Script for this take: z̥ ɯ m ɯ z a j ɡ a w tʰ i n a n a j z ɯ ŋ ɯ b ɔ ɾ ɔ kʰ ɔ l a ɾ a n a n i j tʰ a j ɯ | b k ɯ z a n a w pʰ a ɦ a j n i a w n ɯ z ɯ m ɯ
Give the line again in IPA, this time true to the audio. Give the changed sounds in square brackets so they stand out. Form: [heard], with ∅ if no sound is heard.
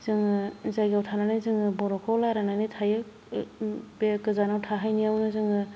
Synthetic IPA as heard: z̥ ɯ [ŋ] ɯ z a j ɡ a w tʰ [a] n a n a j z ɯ ŋ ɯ b ɔ ɾ ɔ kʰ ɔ l a ɾ a n a n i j tʰ a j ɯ | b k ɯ z a n a w [tʰ] a ɦ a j n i a w n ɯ z ɯ [ŋ] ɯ